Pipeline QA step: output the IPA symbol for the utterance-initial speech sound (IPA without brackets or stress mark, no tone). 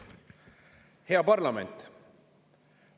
h